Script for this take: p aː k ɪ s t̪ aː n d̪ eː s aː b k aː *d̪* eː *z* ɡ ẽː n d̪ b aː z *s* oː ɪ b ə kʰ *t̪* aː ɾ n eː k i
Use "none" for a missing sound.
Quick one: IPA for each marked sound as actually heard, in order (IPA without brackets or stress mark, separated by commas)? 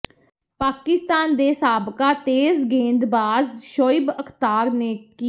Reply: t̪, z, ʃ, t̪